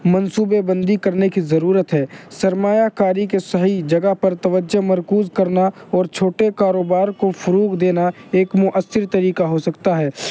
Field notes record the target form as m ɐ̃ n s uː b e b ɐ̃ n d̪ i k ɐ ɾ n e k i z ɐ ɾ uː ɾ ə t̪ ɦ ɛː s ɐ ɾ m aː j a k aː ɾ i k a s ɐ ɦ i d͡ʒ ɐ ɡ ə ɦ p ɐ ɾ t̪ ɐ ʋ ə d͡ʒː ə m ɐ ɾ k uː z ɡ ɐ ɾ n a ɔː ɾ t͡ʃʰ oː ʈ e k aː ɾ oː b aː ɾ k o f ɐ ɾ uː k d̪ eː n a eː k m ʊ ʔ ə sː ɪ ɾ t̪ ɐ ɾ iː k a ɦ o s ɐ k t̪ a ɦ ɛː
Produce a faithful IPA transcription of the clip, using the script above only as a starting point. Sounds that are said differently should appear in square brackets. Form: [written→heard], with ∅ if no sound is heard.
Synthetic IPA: m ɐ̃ n s uː b e b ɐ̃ n d̪ i k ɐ ɾ n e k i z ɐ ɾ uː ɾ ə t̪ ɦ ɛː s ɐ ɾ m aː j a k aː ɾ i k [a→e] s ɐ ɦ i d͡ʒ ɐ ɡ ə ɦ p ɐ ɾ t̪ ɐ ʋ ə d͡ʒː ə m ɐ ɾ k uː z [ɡ→k] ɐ ɾ n a ɔː ɾ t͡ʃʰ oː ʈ e k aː ɾ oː b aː ɾ k o f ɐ ɾ uː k d̪ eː n a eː k m ʊ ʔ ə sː ɪ ɾ t̪ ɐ ɾ iː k a ɦ o s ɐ k t̪ a ɦ ɛː